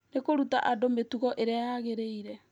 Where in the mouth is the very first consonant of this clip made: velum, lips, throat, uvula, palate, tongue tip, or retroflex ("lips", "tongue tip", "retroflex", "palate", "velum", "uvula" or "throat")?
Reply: tongue tip